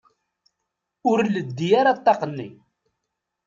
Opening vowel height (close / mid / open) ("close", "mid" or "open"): close